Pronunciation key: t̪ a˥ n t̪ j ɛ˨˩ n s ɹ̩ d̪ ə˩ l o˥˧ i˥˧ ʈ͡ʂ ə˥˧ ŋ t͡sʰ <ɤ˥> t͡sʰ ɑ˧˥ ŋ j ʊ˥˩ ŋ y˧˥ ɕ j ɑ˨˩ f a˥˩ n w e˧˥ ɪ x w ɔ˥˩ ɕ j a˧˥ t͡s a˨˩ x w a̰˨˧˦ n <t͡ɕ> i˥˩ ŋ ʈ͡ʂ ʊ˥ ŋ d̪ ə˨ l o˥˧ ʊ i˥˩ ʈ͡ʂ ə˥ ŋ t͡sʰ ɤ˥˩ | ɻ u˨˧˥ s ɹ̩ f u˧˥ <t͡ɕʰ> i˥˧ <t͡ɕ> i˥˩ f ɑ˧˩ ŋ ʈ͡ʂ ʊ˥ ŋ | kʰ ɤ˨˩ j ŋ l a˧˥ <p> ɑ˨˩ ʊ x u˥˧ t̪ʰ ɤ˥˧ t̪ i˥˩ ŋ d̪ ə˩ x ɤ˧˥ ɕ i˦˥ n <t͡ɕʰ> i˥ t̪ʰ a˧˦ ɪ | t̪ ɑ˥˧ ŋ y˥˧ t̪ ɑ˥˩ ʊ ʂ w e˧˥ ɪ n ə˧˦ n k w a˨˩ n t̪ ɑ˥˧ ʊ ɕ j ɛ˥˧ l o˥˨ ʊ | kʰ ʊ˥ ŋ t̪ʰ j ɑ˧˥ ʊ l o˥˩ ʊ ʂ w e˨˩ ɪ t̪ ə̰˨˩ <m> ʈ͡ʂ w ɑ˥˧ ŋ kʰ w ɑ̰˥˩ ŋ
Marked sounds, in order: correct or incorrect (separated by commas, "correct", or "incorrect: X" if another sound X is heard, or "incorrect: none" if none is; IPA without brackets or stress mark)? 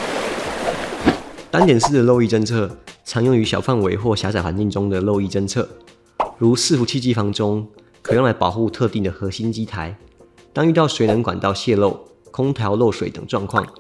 incorrect: ɤ˥˩, correct, correct, correct, correct, incorrect: t͡ɕ, incorrect: ŋ